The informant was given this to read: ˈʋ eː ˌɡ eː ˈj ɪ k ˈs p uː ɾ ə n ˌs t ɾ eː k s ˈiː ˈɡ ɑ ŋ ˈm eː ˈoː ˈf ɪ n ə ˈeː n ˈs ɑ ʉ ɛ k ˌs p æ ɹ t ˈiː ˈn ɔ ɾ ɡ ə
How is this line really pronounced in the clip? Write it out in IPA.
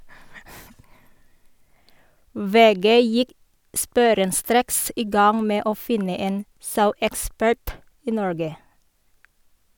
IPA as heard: ˈʋ eː ˌɡ eː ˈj ɪ k ˈs p uː ɾ ə n ˌs t ɾ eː k s ˈiː ˈɡ ɑ ŋ ˈm eː ˈoː ˈf ɪ n ə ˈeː n ˈs ɑ ʉ ɛ k ˌs p æ ɹ t ˈiː ˈn ɔ ɹ ɡ ə

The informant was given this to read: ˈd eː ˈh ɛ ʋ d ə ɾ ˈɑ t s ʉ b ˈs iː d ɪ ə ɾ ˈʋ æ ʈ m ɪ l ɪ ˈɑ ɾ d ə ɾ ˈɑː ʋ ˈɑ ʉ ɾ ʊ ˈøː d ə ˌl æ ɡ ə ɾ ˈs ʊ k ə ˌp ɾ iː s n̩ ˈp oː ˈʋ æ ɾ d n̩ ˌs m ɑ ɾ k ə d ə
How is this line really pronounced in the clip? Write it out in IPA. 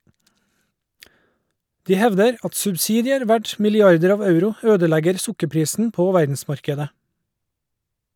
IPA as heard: ˈd iː ˈh ɛ ʋ d ə ɾ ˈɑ t s ʉ b ˈs iː d ɪ ə ɾ ˈʋ æ ʈ m ɪ l ɪ ˈɑ ɾ d ə ɾ ˈɑː ʋ ˈɑ ʉ ɾ ʊ ˈøː d ə ˌl æ ɡ ə ɾ ˈs ʊ k ə ˌp ɾ iː s n̩ ˈp oː ˈʋ æ ɾ d n̩ ˌs m ɑ ɾ k ə d ə

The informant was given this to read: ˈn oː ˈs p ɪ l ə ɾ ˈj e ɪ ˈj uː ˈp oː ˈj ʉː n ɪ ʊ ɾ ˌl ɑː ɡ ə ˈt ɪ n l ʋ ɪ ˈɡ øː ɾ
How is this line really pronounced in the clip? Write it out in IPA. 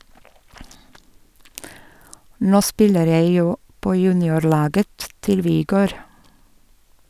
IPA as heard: ˈn oː ˈs p ɪ l ə ɾ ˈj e ɪ ˈj uː ˈp oː ˈj ʉː n ɪ ʊ ɾ ˌl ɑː ɡ ə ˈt ɪ l ʋ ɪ ˈɡ øː ɾ

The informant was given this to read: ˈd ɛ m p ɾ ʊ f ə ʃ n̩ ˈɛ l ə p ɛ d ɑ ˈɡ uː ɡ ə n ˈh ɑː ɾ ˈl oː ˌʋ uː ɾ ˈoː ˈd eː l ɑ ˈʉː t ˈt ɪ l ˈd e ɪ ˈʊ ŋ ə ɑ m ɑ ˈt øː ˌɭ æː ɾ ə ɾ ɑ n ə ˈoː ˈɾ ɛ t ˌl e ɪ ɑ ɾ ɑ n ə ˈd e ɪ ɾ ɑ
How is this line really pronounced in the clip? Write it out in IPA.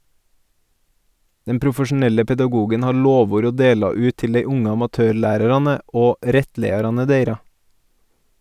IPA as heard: ˈd ɛ m p ɾ ʊ f ə ʃ n̩ ˈɛ l ə p ɛ d ɑ ˈɡ uː ɡ ə n ˈh ɑː ɾ ˈl oː ˌʋ uː ɾ ˈoː ˈd eː l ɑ ˈʉː t ˈt ɪ l ˈd e ɪ ˈʊ ŋ ə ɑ m ɑ ˈt øː ˌɭ æː ɾ ə ɾ ɑ n ə ˈoː ˈɾ ɛ t ˌl e ɪ ɑ ɾ ɑ n ə ˈd e ɪ ɾ ɑ

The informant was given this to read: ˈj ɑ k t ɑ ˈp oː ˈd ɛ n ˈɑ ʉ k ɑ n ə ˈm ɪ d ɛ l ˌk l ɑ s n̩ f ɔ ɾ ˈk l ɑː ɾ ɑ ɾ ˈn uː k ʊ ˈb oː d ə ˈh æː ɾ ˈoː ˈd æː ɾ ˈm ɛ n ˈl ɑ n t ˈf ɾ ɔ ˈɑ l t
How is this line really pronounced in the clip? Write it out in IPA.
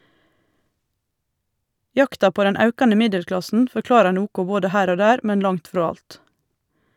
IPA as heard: ˈj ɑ k t ɑ ˈp oː ˈd ɛ n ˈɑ ʉ k ɑ n ə ˈm ɪ d ɛ l ˌk l ɑ s n̩ f ɔ ɾ ˈk l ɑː ɾ ɑ ɾ ˈn uː k ʊ ˈb oː d ə ˈh æː ɾ ˈoː ˈd æː ɾ ˈm ɛ n ˈl ɑ ŋ t ˈf ɾ ɔ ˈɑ l t

